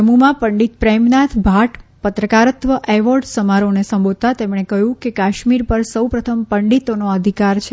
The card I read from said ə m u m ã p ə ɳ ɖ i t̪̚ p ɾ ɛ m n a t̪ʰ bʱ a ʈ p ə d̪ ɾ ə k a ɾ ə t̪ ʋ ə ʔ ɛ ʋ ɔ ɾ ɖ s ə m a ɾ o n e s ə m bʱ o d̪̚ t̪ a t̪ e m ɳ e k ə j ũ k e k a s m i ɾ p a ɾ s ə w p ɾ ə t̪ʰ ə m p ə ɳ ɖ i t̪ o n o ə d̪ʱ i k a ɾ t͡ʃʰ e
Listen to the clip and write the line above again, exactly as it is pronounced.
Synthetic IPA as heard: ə m u m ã p ə ɳ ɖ i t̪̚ p ɾ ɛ m n a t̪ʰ bʱ a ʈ p ə t̪ ɾ ə k a ɾ ə t̪ ʋ ə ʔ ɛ ʋ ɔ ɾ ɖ s ə m a ɾ o n e s ə m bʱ o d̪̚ t̪ a t̪ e m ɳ e k ə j ũ k e k a ʃ m i ɾ p ə ɾ s ə w p ɾ ə t̪ʰ ə m p ə ɳ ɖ i t̪ o n o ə d̪ʱ i k a ɾ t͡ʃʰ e